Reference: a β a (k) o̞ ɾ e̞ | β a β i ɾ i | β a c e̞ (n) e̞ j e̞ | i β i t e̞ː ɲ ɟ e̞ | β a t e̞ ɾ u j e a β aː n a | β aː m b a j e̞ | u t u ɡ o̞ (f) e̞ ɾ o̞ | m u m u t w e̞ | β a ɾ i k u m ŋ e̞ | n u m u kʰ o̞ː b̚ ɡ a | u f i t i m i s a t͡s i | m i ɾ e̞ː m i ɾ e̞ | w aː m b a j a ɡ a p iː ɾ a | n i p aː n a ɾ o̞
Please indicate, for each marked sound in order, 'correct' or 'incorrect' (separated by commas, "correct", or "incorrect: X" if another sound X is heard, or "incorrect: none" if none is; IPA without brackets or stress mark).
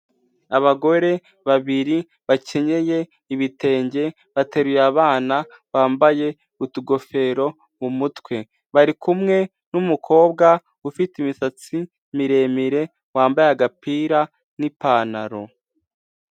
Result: incorrect: ɡ, incorrect: ɲ, correct